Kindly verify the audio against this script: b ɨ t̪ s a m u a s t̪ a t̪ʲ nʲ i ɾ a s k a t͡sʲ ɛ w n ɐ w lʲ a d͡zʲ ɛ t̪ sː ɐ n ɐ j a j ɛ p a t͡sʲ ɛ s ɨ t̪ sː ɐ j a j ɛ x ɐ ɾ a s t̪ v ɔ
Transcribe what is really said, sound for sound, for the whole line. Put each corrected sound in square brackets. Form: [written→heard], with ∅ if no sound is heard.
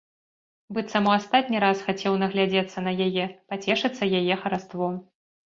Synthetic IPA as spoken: b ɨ t̪ s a m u a s t̪ a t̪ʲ nʲ i ɾ a s [k→x] a t͡sʲ ɛ w n ɐ [w→ɣ] lʲ a d͡zʲ ɛ t̪ sː ɐ n ɐ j a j ɛ p a t͡sʲ ɛ [s→ʂ] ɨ t̪ sː ɐ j a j ɛ x ɐ ɾ a s t̪ v ɔ